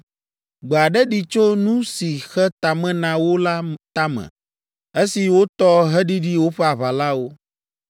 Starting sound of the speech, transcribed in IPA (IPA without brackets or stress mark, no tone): ɡ͡b